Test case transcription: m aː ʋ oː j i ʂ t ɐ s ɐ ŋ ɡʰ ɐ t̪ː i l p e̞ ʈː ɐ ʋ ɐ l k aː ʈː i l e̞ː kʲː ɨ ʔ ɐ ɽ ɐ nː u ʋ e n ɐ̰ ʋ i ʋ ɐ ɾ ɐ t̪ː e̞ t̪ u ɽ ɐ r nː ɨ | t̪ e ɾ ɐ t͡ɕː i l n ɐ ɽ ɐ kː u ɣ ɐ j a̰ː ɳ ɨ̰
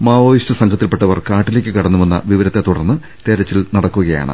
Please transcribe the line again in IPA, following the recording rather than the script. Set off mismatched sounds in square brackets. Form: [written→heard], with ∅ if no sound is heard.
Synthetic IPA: m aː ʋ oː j i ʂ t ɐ s ɐ ŋ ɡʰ ɐ t̪ː i l p e̞ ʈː ɐ ʋ ɐ [l→r] k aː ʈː i l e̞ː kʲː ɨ [ʔ→k] ɐ ɽ ɐ nː u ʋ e [n→nː] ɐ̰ ʋ i ʋ ɐ ɾ ɐ t̪ː e̞ t̪ u ɽ ɐ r nː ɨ | t̪ e ɾ ɐ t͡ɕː i l n ɐ ɽ ɐ kː u ɣ ɐ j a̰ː ɳ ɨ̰

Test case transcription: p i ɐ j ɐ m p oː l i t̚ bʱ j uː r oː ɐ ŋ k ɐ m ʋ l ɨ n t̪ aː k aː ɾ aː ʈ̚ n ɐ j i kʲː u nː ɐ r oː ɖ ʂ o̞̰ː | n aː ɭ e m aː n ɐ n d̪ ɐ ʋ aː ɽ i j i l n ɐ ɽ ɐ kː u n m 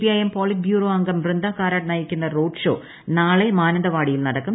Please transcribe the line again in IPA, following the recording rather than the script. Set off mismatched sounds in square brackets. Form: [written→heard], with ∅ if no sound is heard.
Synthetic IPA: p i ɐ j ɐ m p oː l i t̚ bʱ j uː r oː ɐ ŋ [k→ɡ] ɐ m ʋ [l→r] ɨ n [t̪→d̪] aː k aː ɾ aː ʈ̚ n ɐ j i kʲː u nː ɐ r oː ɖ ʂ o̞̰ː | n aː ɭ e m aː n ɐ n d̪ ɐ ʋ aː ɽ i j i l n ɐ ɽ ɐ kː u [n→∅] m

